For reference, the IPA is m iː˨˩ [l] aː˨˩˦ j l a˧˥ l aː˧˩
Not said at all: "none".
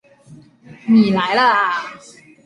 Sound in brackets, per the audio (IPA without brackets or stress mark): l